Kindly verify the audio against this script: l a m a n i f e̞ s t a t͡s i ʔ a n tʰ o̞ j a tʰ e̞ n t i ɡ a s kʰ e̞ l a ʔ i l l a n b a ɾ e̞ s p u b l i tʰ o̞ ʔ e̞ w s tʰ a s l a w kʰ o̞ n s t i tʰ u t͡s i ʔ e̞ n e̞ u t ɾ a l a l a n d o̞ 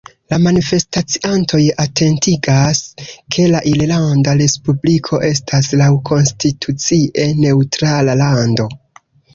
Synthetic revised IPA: l a m a n i f e̞ s t a t͡s i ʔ a n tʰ o̞ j a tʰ e̞ n t i ɡ a s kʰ e̞ l a ʔ i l l a n d a ɾ e̞ s p u b l i kʰ o̞ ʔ e̞ s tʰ a s l a w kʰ o̞ n s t i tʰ u t͡s i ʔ e̞ n e̞ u t ɾ a l a l a n d o̞